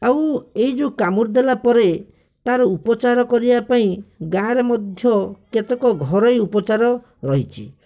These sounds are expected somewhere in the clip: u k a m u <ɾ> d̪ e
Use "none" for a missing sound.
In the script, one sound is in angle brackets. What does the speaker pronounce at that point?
ɾ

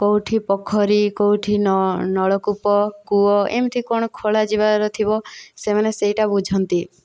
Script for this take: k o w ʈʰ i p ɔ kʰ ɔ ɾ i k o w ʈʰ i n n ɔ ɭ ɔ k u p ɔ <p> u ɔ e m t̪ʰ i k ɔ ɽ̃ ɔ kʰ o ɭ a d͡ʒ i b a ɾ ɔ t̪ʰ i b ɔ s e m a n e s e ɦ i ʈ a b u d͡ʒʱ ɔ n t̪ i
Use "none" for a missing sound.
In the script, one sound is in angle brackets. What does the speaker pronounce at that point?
k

